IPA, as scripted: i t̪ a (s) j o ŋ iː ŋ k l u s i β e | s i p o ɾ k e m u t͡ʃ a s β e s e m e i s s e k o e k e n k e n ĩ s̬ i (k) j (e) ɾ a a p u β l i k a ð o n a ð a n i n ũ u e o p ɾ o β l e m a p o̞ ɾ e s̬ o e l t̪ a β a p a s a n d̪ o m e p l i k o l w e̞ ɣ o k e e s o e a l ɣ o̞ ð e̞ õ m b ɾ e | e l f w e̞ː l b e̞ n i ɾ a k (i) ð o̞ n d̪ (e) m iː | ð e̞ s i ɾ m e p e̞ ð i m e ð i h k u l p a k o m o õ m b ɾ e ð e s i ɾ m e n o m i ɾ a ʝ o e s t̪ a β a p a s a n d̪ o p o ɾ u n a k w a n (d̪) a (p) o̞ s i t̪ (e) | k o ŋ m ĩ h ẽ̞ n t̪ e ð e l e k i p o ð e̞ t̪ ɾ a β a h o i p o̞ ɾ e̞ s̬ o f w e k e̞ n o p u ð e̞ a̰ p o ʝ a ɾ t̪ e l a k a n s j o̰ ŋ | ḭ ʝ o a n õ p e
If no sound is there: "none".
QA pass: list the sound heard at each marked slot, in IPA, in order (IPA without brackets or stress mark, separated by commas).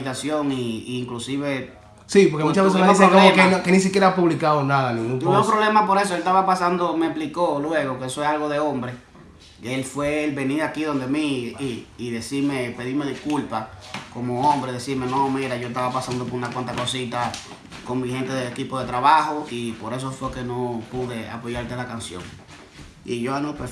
s, k, e, i, e, t̪, k, a